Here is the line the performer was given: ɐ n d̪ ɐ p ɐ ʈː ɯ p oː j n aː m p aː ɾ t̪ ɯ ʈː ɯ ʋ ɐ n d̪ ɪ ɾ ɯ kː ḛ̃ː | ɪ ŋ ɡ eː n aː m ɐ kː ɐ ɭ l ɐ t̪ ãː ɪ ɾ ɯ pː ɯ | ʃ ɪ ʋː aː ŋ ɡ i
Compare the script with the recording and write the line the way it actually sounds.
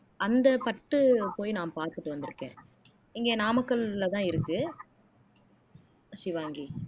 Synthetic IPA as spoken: ɐ n d̪ ɐ p ɐ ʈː ɯ p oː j n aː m p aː ɾ t̪ ɯ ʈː ɯ ʋ ɐ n d̪ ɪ ɾ ɯ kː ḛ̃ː | ɪ ŋ ɡ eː n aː m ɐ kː ɐ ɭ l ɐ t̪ ãː ɪ ɾ ɯ kː ɯ | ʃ ɪ ʋ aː ŋ ɡ i

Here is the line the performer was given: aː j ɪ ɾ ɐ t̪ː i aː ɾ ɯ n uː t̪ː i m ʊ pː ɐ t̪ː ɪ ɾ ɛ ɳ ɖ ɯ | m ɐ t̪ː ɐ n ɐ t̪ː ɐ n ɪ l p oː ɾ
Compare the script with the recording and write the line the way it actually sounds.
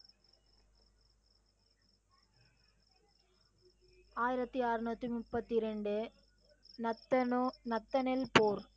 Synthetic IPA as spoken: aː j ɪ ɾ ɐ t̪ː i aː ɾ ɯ n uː t̪ː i m ʊ pː ɐ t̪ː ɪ ɾ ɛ ɳ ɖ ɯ | n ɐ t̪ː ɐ n ɐ t̪ː ɐ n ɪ l p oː ɾ

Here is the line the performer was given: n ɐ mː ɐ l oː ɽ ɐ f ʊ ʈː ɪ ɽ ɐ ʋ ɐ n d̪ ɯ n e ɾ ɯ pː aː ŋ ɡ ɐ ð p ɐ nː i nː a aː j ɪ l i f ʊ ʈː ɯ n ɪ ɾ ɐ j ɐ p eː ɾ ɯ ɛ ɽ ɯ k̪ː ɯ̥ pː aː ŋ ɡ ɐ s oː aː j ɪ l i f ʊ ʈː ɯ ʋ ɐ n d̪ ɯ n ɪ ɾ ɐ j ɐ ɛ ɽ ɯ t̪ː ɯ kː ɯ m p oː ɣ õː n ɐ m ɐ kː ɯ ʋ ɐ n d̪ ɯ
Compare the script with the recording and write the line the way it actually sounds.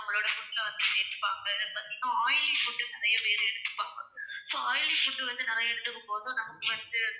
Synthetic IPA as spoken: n ɐ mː ɐ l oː ɽ ɐ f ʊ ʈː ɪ l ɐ ʋ ɐ n d̪ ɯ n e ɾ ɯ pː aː ŋ ɡ ɐ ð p ɐ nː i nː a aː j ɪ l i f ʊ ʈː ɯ n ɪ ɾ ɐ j ɐ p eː ɾ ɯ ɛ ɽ ɯ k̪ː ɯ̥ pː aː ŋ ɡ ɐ s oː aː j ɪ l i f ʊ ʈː ɯ ʋ ɐ n d̪ ɯ n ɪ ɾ ɐ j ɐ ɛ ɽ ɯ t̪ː ɯ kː ɯ m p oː ð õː n ɐ m ɐ kː ɯ ʋ ɐ n d̪ ɯ

